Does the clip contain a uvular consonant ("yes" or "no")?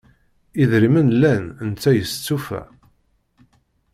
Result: no